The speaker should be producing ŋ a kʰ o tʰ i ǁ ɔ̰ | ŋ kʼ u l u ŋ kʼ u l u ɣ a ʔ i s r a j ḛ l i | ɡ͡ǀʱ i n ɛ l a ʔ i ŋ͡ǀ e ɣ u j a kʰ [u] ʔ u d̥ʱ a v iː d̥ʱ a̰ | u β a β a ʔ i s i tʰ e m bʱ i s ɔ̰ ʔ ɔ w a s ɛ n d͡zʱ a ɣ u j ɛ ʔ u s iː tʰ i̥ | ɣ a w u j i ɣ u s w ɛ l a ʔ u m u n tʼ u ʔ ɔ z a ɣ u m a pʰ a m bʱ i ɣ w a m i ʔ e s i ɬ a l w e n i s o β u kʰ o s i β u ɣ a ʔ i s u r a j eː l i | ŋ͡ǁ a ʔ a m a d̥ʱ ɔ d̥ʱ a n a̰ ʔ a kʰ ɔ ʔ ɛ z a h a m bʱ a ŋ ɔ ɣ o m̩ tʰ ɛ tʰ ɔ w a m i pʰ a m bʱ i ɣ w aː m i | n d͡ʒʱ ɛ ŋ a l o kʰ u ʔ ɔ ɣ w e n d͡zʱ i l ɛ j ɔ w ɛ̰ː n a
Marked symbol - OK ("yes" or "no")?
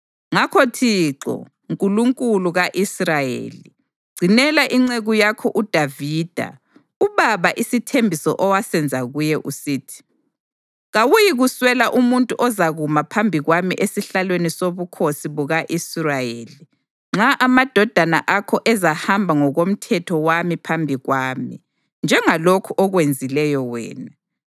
no